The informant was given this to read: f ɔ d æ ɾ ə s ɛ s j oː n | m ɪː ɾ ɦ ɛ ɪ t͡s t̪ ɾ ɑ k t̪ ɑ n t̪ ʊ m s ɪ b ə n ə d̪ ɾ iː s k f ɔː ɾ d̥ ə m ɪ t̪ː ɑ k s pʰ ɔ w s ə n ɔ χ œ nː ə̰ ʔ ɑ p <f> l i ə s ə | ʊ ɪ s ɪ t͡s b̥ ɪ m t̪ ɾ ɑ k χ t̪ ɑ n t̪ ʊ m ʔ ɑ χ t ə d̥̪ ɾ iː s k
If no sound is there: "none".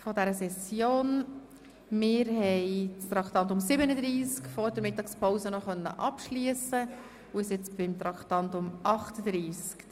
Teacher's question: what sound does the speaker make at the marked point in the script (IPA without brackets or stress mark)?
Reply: ʃ